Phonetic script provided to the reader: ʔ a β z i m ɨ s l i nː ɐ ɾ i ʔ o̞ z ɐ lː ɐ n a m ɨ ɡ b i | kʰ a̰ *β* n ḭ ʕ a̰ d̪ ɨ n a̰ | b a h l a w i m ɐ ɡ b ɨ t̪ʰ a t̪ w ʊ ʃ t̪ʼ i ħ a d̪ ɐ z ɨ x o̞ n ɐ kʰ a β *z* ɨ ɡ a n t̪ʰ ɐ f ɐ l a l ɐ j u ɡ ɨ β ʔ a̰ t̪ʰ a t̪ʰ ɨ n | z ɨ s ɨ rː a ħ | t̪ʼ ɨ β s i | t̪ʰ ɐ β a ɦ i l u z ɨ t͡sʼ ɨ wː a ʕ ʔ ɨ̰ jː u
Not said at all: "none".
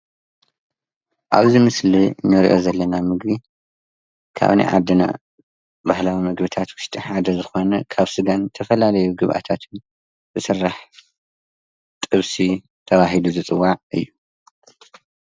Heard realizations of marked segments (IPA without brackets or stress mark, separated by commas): β, s